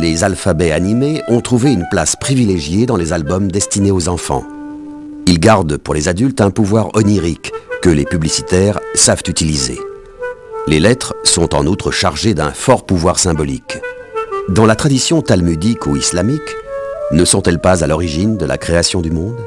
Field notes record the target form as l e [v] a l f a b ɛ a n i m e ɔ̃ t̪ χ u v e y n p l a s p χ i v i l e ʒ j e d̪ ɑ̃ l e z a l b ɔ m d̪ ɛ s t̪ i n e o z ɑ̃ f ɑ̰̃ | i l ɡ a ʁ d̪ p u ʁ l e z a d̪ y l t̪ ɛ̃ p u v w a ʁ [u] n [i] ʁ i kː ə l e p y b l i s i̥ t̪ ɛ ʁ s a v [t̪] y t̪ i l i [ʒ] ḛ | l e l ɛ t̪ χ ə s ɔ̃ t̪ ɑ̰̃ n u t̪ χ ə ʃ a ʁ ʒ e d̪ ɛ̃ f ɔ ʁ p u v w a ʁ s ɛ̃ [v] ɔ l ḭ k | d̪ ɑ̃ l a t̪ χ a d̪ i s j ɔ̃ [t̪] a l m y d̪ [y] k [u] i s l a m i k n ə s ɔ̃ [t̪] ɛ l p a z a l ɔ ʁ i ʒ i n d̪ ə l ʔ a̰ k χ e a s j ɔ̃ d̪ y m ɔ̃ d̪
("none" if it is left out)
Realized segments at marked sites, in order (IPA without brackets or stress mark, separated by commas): z, ɔ, i, t̪, z, b, t̪, i, u, t̪